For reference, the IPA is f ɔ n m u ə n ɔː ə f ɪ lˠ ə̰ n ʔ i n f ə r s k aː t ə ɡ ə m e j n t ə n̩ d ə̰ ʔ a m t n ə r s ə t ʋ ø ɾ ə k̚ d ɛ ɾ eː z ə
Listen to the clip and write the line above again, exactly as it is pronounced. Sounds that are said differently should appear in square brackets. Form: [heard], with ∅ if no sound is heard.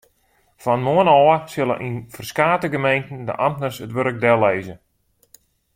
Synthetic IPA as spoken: f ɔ n m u ə n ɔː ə [s] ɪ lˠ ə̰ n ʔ i n f ə r s k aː t ə ɡ ə m e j n t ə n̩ d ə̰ ʔ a m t n ə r s ə t ʋ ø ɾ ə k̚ d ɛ [l] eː z ə

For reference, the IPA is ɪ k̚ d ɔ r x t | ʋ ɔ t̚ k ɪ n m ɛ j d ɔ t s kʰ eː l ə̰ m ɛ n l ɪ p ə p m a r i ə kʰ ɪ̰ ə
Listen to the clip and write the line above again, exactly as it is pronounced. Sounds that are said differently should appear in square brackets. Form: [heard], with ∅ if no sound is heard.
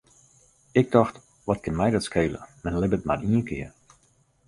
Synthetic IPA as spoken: ɪ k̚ d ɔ [∅] x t | ʋ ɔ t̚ k ɪ n m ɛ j d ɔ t s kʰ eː l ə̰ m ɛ n l ɪ [b] ə [t] m a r i ə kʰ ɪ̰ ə

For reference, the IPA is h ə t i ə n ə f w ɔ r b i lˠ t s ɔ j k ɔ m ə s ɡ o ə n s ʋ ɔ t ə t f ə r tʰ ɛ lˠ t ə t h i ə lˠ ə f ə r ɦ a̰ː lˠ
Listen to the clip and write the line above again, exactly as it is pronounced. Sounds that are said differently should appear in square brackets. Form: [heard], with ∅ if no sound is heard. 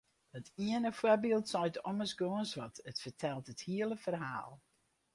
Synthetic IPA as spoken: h ə t i ə n ə f w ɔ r b i lˠ t s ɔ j [t] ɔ m ə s ɡ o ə n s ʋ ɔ t ə t f ə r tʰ ɛ lˠ t ə t h i ə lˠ ə f ə r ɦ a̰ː lˠ

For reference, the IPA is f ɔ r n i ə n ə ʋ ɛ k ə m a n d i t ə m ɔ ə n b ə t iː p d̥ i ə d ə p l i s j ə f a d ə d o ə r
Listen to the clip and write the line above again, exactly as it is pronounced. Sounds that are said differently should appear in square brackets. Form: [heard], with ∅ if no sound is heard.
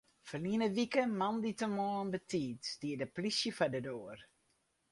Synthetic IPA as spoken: f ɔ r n i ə n ə ʋ [i] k ə m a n d i t ə m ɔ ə n b ə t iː [t] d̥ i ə d ə p l i s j ə f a d ə d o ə r

